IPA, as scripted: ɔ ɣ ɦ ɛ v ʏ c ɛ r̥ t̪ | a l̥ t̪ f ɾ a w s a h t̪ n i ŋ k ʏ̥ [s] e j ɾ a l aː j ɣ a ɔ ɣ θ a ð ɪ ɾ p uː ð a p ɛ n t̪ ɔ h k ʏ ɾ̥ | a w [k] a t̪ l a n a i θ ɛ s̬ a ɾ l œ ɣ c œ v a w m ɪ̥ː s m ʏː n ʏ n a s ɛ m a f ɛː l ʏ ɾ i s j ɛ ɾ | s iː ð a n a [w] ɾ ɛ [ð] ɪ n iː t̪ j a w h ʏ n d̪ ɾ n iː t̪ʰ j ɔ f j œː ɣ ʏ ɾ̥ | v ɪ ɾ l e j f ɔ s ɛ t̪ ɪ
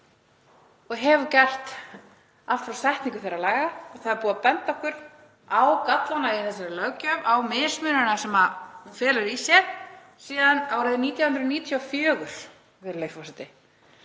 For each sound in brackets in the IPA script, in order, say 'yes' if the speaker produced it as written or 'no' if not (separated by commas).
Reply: no, yes, yes, yes